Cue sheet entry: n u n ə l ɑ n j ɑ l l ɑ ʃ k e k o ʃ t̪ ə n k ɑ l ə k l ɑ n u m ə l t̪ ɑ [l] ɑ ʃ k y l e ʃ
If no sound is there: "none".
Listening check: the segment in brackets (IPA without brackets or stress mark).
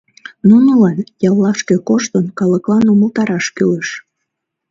ɾ